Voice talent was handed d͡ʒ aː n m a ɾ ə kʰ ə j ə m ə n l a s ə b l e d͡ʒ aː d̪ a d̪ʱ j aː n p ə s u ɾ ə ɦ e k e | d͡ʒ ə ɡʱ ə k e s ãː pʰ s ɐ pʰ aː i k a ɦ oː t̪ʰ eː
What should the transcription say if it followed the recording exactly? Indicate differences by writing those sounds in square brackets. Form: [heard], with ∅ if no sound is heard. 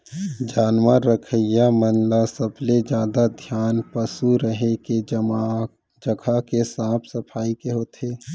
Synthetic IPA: d͡ʒ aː n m a ɾ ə kʰ ə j [a] m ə n l a s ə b l e d͡ʒ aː d̪ a d̪ʱ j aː n p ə s u ɾ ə ɦ e k e | d͡ʒ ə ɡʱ [a] k e s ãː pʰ s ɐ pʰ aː i k [e] ɦ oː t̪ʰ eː